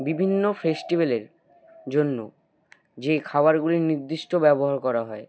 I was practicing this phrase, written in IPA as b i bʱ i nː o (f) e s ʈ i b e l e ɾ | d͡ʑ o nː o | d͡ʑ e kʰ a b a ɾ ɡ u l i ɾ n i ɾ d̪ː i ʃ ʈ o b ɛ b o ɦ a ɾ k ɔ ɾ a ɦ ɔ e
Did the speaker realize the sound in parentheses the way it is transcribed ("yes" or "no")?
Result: yes